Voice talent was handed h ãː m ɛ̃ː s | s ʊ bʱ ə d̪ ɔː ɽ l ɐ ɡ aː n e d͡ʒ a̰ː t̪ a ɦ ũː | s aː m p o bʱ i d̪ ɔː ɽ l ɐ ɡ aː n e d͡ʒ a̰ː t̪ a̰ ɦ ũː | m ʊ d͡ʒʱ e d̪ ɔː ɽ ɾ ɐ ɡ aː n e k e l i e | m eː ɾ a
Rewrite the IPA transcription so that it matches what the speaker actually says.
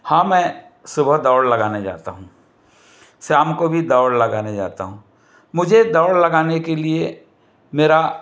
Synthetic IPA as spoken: h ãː m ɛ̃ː | s ʊ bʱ ə d̪ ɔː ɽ l ɐ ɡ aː n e d͡ʒ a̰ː t̪ a ɦ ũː | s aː m k o bʱ i d̪ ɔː ɽ l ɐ ɡ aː n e d͡ʒ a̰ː t̪ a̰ ɦ ũː | m ʊ d͡ʒʱ e d̪ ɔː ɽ l ɐ ɡ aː n e k e l i e | m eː ɾ a